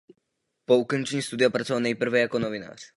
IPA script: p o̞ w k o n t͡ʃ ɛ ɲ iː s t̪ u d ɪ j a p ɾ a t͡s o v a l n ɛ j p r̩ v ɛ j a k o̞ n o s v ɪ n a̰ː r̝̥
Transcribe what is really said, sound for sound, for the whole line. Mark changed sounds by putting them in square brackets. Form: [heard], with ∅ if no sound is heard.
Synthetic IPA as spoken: p o̞ [u] k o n t͡ʃ ɛ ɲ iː s t̪ u d ɪ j a p ɾ a t͡s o v a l n ɛ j p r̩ v ɛ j a k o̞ n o [∅] v ɪ n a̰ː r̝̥